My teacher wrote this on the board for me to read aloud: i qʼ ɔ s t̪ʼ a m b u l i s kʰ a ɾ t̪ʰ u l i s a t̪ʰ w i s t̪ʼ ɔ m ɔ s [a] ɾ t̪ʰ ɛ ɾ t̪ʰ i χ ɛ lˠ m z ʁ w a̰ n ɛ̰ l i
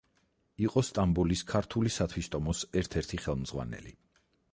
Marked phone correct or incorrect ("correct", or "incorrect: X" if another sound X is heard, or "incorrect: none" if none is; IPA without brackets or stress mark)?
incorrect: ɛ